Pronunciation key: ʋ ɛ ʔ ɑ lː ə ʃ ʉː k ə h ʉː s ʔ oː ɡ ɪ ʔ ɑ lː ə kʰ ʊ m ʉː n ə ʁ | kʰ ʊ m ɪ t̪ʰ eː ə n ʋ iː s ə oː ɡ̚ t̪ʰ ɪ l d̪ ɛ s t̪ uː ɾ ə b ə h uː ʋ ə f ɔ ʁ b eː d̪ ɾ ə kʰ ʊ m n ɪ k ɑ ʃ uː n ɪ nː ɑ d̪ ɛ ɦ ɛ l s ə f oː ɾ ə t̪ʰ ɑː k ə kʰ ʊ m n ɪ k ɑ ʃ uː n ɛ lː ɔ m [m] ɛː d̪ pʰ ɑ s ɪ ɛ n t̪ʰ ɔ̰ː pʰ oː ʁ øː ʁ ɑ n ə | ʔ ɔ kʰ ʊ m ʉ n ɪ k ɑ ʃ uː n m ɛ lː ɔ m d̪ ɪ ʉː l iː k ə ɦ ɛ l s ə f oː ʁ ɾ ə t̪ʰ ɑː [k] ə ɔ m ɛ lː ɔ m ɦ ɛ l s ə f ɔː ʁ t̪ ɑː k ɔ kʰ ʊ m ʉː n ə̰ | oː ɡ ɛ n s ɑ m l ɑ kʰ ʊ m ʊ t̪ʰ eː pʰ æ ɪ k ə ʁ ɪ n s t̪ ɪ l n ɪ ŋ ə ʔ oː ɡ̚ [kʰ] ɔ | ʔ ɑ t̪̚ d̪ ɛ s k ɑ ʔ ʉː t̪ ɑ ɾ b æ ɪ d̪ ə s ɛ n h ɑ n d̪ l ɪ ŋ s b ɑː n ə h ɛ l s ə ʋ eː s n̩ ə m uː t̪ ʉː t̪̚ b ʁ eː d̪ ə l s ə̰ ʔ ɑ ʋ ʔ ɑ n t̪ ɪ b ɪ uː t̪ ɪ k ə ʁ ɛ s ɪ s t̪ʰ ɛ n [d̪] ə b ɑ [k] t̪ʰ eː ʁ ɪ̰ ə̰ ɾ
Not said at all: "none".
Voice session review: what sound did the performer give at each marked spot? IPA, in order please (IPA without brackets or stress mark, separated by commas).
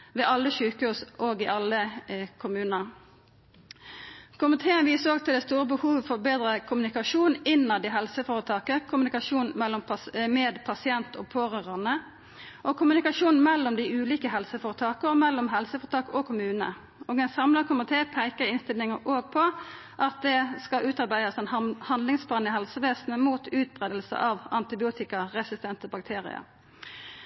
m, k, pʰ, t̪, k